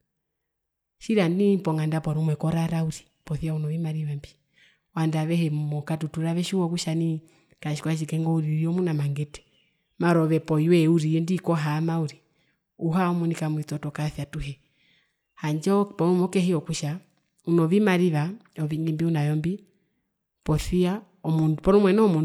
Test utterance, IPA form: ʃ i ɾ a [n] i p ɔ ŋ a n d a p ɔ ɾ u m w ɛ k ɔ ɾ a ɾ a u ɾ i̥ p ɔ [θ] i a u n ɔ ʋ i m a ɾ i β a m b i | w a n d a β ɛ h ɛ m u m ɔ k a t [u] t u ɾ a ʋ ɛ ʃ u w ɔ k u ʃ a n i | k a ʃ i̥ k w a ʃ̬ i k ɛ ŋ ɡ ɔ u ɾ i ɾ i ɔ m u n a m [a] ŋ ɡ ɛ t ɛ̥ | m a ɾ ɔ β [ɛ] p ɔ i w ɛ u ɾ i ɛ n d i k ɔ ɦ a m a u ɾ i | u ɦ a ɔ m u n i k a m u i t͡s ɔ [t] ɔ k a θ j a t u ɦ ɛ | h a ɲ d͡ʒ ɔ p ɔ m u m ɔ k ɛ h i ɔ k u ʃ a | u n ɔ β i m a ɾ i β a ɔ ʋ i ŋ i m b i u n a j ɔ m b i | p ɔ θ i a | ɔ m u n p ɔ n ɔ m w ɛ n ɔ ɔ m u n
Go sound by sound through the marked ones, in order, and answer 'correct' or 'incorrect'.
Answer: correct, correct, correct, correct, correct, correct

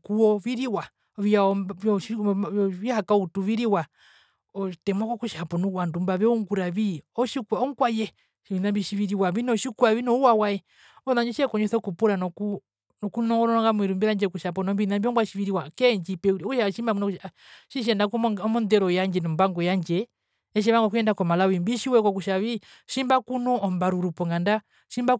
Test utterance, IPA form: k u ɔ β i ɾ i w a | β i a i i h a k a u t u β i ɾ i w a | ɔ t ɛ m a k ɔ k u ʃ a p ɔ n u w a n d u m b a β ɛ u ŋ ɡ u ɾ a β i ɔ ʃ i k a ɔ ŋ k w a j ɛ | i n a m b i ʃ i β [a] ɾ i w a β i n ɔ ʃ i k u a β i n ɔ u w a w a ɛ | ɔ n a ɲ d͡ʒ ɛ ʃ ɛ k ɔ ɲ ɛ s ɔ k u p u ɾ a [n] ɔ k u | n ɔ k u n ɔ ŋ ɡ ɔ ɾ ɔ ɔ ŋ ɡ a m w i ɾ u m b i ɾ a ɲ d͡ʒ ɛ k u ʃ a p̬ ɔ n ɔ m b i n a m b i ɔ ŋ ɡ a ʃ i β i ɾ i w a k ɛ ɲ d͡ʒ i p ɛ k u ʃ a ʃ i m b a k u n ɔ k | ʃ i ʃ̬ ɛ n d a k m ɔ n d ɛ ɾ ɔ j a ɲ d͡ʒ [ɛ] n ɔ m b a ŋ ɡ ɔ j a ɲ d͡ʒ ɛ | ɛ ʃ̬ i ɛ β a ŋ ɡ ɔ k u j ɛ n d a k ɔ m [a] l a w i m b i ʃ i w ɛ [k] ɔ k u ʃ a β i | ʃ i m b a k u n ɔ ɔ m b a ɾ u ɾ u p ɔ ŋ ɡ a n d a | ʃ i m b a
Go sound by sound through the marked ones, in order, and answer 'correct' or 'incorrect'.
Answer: incorrect: i, correct, correct, correct, correct

